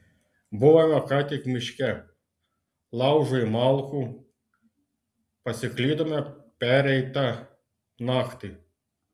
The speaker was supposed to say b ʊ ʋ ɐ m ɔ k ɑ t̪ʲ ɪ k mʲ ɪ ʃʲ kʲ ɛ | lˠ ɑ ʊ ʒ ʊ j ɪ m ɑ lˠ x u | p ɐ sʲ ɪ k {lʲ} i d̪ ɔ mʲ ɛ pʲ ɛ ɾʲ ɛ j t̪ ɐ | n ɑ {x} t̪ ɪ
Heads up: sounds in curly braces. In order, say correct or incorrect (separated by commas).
correct, correct